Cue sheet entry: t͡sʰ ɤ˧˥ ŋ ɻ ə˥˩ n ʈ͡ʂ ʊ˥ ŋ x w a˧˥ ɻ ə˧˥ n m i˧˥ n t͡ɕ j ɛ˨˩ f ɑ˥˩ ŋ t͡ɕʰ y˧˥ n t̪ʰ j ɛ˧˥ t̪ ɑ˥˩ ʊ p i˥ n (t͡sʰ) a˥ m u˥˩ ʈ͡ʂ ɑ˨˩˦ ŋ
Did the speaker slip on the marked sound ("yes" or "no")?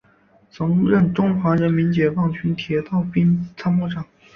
no